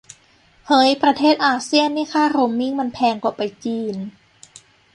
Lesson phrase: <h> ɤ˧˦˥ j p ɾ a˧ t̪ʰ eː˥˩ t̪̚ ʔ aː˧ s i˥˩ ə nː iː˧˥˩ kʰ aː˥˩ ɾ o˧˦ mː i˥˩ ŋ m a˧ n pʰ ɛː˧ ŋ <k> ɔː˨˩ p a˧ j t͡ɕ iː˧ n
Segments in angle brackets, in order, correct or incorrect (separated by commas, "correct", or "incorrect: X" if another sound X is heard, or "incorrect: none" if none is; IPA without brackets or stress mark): correct, correct